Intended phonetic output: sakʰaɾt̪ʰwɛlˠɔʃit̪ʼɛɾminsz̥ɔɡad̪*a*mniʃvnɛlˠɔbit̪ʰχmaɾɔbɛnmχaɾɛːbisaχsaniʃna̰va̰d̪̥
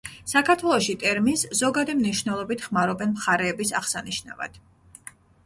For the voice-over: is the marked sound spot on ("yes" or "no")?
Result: no